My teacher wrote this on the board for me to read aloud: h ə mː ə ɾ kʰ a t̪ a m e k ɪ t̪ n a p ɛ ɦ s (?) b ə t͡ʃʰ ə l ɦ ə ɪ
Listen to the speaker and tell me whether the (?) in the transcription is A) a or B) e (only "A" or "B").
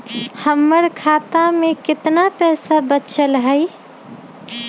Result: A